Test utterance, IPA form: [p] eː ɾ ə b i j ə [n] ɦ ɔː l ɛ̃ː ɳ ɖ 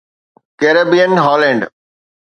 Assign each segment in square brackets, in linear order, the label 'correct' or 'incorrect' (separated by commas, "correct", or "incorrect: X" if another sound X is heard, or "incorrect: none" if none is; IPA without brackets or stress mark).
incorrect: k, correct